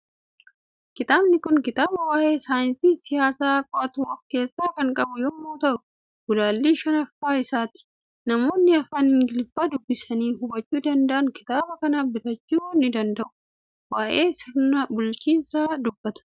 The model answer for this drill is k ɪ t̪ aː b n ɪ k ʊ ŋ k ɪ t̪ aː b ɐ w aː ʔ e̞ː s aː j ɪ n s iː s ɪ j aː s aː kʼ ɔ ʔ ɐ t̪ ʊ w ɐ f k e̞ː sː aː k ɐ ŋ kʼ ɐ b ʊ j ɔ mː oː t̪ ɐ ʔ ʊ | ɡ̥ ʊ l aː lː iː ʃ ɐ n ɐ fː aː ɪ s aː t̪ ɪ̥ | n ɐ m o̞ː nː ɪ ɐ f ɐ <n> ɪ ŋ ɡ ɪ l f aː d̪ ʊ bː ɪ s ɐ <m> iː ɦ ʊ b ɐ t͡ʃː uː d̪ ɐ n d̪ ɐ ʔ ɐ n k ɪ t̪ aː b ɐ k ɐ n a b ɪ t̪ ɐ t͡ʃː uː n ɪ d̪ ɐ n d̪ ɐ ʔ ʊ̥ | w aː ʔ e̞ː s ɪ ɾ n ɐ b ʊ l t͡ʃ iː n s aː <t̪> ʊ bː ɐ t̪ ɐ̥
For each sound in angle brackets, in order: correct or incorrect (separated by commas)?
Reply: correct, incorrect, incorrect